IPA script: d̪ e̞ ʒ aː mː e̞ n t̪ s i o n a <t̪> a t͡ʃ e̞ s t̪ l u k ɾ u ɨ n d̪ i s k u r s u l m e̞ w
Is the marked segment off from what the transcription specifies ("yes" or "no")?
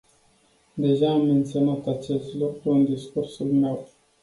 no